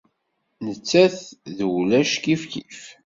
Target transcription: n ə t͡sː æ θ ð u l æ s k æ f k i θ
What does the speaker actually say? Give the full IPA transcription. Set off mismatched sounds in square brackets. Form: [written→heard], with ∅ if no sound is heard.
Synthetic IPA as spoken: n ə t͡sː æ θ ð [u→w] l æ [s→ʃ] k [æ→i] f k i [θ→f]